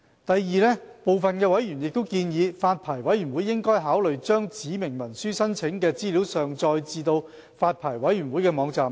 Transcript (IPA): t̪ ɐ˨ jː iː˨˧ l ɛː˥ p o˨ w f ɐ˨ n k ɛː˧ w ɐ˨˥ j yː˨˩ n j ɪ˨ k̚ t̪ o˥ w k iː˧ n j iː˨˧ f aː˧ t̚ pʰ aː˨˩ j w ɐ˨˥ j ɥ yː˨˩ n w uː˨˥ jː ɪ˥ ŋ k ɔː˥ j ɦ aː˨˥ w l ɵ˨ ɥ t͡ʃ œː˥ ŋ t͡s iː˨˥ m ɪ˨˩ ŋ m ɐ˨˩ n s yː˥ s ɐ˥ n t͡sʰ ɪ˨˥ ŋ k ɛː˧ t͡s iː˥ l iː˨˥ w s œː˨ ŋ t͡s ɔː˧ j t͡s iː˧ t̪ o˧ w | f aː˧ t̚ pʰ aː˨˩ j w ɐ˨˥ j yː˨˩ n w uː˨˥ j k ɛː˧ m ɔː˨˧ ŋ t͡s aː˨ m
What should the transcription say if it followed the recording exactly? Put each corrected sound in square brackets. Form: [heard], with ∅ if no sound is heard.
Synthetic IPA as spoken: t̪ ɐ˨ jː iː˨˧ l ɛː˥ p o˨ w f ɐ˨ n k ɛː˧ w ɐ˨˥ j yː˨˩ n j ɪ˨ k̚ t̪ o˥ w k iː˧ n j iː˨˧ f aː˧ t̚ pʰ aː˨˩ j w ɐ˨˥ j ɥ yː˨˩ n w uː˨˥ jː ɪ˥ ŋ k ɔː˥ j ɦ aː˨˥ w l ɵ˨ ɥ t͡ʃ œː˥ ŋ t͡s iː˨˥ m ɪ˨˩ ŋ m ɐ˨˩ n s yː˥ s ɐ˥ n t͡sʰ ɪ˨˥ ŋ k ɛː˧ t͡s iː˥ l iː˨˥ w s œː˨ ŋ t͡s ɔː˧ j t͡s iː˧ t̪ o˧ w | f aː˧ t̚ pʰ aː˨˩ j w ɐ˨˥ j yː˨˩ n w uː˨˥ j k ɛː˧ m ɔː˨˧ ŋ t͡s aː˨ m